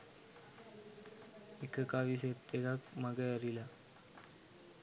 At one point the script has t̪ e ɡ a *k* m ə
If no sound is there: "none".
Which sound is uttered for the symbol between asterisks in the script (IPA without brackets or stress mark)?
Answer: k